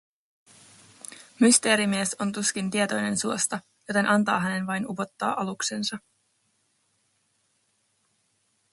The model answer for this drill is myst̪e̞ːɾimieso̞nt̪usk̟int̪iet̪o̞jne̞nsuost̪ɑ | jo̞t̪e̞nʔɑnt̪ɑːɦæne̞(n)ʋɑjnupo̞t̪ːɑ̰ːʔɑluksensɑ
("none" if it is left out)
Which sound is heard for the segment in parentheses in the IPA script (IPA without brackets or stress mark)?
n